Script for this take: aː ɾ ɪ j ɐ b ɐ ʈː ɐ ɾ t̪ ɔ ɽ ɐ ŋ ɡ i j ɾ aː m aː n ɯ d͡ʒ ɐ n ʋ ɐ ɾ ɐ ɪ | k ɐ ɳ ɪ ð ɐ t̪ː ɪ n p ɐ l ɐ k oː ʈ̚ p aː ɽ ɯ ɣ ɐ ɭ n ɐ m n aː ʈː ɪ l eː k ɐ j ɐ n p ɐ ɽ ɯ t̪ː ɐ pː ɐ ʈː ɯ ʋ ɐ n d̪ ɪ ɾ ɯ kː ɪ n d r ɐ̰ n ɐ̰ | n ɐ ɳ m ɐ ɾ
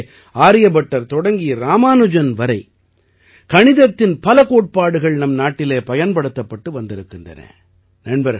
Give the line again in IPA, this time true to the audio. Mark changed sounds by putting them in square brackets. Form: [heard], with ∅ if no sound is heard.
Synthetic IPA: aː ɾ ɪ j ɐ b ɐ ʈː ɐ ɾ t̪ ɔ ɽ ɐ ŋ ɡ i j ɾ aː m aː n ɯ d͡ʒ ɐ n ʋ ɐ ɾ ɐ ɪ | k ɐ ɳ ɪ ð ɐ t̪ː ɪ n p ɐ l ɐ k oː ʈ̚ p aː ɽ ɯ ɣ ɐ ɭ n ɐ m n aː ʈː ɪ l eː [p] ɐ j ɐ n p ɐ ɽ ɯ t̪ː ɐ pː ɐ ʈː ɯ ʋ ɐ n d̪ ɪ ɾ ɯ kː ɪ n d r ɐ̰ n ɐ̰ | n ɐ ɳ [b] ɐ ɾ

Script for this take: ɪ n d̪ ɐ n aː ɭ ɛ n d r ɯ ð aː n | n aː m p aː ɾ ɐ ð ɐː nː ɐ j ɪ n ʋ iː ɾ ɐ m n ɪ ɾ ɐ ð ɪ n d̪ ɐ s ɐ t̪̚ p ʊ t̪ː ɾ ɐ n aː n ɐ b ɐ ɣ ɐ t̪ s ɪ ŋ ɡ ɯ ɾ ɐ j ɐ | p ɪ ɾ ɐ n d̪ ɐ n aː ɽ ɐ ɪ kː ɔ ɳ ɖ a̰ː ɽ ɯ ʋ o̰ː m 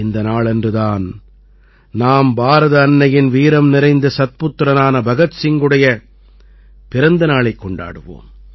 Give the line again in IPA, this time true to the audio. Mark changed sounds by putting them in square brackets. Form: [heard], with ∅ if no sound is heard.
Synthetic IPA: ɪ n d̪ ɐ n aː ɭ ɛ n d r ɯ ð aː n | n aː m [b] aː ɾ ɐ ð ɐː nː ɐ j ɪ n ʋ iː ɾ ɐ m n ɪ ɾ ɐ [∅] ɪ n d̪ ɐ s ɐ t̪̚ p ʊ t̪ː ɾ ɐ n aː n ɐ b ɐ ɣ ɐ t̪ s ɪ ŋ ɡ ɯ [ɽ] ɐ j ɐ | p ɪ ɾ ɐ n d̪ ɐ n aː [ɭ] ɐ ɪ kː ɔ ɳ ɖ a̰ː ɽ ɯ ʋ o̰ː m

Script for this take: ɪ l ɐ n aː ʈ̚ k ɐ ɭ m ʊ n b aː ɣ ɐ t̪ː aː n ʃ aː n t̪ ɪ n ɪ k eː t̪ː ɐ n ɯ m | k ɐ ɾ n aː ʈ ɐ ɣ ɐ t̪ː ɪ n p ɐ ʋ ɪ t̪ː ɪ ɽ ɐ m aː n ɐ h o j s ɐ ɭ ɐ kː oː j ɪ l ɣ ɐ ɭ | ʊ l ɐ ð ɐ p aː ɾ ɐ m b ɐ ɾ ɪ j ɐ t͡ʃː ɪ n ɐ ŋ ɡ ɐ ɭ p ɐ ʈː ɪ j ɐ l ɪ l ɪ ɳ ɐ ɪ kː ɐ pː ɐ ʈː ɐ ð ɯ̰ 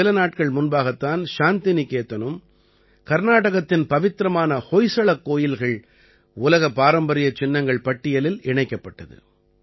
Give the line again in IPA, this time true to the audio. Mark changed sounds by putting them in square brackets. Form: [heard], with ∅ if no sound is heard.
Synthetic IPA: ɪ l ɐ n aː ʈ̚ k ɐ ɭ m ʊ n b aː ɣ ɐ t̪ː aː n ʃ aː n t̪ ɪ n ɪ k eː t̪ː ɐ n ɯ m | k ɐ ɾ n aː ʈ ɐ ɣ ɐ t̪ː ɪ n p ɐ ʋ ɪ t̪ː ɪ [ɾ] ɐ m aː n ɐ h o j s ɐ ɭ ɐ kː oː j ɪ l ɣ ɐ ɭ | ʊ l ɐ [ɣ] ɐ p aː ɾ ɐ m b ɐ ɾ ɪ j ɐ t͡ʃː ɪ [nː] ɐ ŋ ɡ ɐ ɭ p ɐ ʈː ɪ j ɐ l ɪ l ɪ ɳ ɐ ɪ kː ɐ pː ɐ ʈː ɐ ð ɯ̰

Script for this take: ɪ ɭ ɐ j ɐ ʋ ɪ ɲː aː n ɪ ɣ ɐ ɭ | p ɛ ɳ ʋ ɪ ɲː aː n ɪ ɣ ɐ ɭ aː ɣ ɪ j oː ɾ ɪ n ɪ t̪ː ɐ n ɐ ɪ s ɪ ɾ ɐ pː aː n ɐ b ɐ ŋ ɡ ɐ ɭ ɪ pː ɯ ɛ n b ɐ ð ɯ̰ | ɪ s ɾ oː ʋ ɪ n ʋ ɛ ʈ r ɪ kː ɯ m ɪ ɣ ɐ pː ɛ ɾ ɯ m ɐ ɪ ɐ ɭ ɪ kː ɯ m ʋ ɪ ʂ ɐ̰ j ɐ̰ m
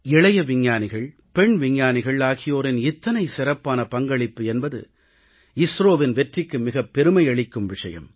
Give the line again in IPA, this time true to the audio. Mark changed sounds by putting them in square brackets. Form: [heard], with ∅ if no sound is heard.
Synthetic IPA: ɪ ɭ ɐ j ɐ ʋ ɪ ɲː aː n ɪ ɣ ɐ ɭ | p ɛ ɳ ʋ ɪ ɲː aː n ɪ ɣ ɐ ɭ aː ɣ ɪ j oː ɾ ɪ n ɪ t̪ː ɐ n ɐ ɪ s ɪ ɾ ɐ pː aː n ɐ [p] ɐ ŋ ɡ ɐ ɭ ɪ pː ɯ ɛ n b ɐ ð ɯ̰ | ɪ s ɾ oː ʋ ɪ n ʋ ɛ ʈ r ɪ kː ɯ m ɪ ɣ ɐ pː ɛ ɾ ɯ m ɐ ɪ ɐ ɭ ɪ kː ɯ m ʋ ɪ ʂ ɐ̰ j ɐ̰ m

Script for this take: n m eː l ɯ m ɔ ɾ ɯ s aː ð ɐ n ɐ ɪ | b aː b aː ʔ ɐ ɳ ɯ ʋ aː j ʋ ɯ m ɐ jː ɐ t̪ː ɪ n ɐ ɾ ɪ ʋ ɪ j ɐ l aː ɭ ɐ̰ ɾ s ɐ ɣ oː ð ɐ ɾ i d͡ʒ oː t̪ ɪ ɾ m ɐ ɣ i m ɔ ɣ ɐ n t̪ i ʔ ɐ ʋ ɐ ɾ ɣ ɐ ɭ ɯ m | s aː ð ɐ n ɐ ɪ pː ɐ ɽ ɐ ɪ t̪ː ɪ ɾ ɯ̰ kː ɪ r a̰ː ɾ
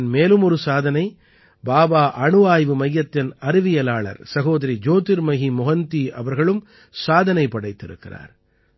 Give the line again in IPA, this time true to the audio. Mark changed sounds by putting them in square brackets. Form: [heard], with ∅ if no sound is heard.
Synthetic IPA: n m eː l ɯ m ɔ ɾ ɯ s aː ð ɐ n ɐ ɪ | b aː b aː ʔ ɐ ɳ ɯ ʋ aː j ʋ ɯ m ɐ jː ɐ t̪ː ɪ n ɐ ɾ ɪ ʋ ɪ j ɐ l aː ɭ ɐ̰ ɾ s ɐ ɣ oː ð ɐ ɾ i d͡ʒ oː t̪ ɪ ɾ m ɐ ɣ i m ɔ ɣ ɐ n t̪ i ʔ ɐ ʋ ɐ ɾ ɣ ɐ ɭ ɯ m | s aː ð ɐ n ɐ ɪ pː ɐ ɽ ɐ ɪ t̪ː ɪ ɾ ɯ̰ kː ɪ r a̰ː ɾ

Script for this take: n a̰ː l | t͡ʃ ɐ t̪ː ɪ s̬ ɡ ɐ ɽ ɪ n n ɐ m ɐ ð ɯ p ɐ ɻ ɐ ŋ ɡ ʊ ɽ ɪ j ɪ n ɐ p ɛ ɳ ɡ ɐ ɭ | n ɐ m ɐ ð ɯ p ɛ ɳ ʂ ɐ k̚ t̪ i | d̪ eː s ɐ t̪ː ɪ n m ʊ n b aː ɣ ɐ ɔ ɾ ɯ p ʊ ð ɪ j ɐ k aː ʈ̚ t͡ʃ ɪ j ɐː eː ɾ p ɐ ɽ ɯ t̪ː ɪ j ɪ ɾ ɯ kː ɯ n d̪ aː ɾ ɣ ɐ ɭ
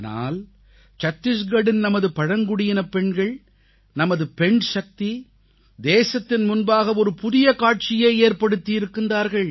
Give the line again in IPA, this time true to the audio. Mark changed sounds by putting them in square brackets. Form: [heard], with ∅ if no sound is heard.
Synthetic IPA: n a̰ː l | t͡ʃ ɐ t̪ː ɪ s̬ ɡ ɐ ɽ ɪ n n ɐ m ɐ ð ɯ p ɐ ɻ ɐ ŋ ɡ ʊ ɽ ɪ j ɪ n ɐ p ɛ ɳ ɡ ɐ ɭ | n ɐ m ɐ ð ɯ p ɛ ɳ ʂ ɐ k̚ t̪ i | d̪ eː s ɐ t̪ː ɪ n m ʊ n b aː ɣ ɐ ɔ ɾ ɯ p ʊ ð ɪ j ɐ k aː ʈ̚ t͡ʃ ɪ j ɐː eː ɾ p ɐ ɽ ɯ t̪ː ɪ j ɪ ɾ ɯ kː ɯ n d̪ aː ɾ ɣ ɐ ɭ

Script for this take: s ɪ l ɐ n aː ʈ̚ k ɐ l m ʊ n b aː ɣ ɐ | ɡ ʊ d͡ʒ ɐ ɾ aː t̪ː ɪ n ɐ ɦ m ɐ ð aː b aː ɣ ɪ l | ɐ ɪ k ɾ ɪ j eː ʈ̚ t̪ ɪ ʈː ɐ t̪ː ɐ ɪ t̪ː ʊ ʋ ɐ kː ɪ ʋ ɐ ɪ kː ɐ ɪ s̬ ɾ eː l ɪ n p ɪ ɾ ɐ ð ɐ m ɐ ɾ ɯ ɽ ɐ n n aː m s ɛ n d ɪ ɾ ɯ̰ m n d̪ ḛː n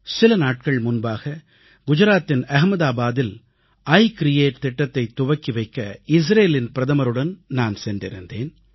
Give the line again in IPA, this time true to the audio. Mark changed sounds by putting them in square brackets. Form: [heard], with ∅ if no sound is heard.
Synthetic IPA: s ɪ l ɐ n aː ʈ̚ k ɐ [ɭ] m ʊ n b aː ɣ ɐ | ɡ ʊ d͡ʒ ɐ ɾ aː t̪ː ɪ n ɐ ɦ m ɐ ð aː b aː [ð] ɪ l | ɐ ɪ k ɾ ɪ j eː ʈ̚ t̪ ɪ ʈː ɐ t̪ː ɐ ɪ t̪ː ʊ ʋ ɐ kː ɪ ʋ ɐ ɪ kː ɐ ɪ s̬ ɾ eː l ɪ n p ɪ ɾ ɐ ð ɐ m ɐ ɾ ɯ ɽ ɐ n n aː [n] s ɛ n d ɪ ɾ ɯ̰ [∅] n d̪ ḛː n

